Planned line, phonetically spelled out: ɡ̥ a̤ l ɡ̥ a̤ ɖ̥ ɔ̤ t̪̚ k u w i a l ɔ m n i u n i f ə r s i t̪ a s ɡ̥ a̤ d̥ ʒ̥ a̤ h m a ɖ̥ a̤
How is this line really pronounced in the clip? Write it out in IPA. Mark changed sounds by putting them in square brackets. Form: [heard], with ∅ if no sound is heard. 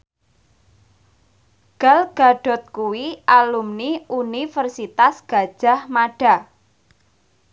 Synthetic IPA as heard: ɡ̥ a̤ l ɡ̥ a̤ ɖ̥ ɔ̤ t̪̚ k u w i a l [u] m n i u n i f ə r s i t̪ a s ɡ̥ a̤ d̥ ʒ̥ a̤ h m a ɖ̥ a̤